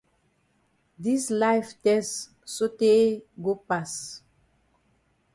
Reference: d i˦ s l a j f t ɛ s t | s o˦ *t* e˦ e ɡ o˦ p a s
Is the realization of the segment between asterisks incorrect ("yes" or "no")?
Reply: no